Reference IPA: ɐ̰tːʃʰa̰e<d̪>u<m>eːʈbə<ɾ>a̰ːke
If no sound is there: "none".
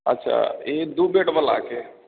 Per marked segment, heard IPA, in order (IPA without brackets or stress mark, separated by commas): d̪, b, l